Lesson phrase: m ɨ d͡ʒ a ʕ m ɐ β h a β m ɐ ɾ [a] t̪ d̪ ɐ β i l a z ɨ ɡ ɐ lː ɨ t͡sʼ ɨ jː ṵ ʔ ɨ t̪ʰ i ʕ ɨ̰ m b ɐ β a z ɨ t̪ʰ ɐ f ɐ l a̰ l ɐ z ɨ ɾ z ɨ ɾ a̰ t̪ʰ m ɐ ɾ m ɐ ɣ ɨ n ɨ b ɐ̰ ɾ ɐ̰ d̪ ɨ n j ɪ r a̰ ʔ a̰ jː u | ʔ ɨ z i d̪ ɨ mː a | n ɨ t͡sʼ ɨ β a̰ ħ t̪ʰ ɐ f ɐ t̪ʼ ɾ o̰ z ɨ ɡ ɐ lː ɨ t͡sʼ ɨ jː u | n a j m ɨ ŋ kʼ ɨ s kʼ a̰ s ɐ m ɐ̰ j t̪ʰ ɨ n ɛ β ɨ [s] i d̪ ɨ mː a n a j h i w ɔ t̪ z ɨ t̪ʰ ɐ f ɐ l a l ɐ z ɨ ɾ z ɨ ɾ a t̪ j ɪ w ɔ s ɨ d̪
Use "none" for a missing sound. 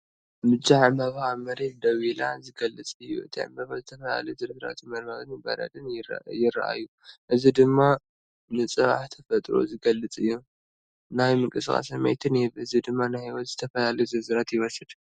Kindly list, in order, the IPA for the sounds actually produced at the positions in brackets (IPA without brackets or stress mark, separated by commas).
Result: e, z